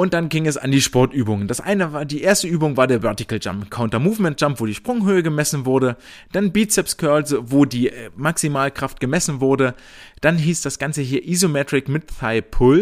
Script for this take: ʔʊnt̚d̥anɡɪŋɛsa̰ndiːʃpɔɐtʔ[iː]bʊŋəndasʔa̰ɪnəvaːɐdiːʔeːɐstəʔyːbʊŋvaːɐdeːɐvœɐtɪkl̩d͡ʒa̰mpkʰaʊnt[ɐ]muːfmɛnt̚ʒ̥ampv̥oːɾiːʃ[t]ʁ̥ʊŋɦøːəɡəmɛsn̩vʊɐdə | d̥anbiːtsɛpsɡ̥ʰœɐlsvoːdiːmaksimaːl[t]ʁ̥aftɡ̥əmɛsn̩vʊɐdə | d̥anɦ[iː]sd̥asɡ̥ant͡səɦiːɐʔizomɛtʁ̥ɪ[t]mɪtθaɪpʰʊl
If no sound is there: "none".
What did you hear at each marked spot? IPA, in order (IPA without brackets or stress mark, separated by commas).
yː, ɐ, p, k, iː, k